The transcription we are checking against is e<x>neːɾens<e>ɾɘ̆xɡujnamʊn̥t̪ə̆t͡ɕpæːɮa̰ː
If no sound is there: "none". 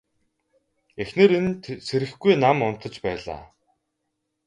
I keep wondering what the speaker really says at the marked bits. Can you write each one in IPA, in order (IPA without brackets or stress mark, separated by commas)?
x, e